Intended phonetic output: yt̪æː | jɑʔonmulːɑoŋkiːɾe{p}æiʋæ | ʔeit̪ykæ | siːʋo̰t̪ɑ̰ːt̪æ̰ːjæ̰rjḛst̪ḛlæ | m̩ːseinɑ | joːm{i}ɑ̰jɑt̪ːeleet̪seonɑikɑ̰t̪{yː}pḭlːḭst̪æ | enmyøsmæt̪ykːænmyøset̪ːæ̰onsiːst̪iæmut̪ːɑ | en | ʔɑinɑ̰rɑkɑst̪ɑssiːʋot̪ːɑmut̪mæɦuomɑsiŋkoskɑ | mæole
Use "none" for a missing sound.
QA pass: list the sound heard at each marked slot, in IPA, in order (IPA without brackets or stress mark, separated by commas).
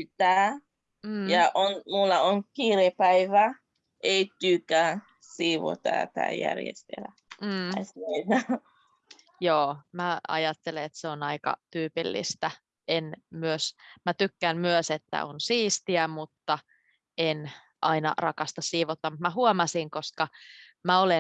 p, æ, yː